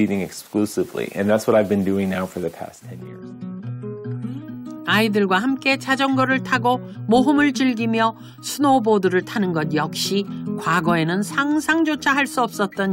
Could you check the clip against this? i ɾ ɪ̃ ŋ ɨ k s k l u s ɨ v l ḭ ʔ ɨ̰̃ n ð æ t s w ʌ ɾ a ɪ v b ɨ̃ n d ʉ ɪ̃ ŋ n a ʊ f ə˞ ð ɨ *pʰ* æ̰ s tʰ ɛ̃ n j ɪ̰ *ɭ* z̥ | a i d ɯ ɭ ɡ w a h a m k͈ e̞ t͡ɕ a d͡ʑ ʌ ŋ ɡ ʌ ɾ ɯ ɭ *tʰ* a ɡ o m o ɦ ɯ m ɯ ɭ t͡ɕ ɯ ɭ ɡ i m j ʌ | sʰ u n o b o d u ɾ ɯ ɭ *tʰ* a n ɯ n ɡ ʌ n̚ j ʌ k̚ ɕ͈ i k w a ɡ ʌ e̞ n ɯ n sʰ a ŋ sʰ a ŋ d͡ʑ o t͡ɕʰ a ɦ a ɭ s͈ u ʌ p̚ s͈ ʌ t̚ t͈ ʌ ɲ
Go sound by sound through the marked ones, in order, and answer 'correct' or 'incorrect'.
correct, incorrect: ɹ, correct, correct

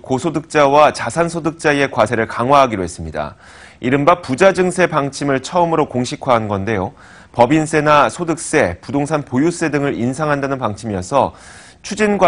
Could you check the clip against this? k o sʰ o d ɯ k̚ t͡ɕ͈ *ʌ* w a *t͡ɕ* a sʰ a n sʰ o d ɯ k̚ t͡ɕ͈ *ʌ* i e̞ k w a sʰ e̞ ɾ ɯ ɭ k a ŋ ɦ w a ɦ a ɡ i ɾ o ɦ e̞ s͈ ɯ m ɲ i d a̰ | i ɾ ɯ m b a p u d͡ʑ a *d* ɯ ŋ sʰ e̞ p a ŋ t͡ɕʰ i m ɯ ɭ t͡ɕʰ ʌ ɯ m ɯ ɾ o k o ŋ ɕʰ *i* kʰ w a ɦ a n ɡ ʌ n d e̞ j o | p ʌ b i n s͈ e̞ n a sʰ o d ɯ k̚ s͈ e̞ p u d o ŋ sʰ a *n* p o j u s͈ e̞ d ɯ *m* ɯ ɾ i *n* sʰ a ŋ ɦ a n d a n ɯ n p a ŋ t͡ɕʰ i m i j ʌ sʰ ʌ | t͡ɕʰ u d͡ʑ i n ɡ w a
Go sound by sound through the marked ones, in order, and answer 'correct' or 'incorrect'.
incorrect: a, correct, incorrect: a, incorrect: d͡ʑ, correct, correct, incorrect: ŋ, correct

